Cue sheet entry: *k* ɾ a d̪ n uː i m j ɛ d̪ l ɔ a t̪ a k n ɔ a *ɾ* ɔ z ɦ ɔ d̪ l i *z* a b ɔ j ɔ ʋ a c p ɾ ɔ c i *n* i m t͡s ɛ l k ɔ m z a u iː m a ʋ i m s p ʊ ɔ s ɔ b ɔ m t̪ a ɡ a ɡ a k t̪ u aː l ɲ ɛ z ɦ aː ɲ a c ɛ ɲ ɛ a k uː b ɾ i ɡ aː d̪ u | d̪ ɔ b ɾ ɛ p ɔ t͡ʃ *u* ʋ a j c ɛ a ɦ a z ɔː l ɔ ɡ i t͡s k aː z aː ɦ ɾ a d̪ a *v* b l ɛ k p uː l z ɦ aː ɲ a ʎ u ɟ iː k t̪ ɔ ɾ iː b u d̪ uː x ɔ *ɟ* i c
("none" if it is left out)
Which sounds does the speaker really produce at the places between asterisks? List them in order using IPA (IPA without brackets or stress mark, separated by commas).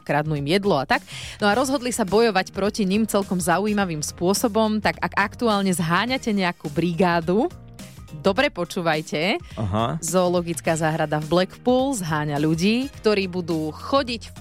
k, ɾ, s, ɲ, uː, v, ɟ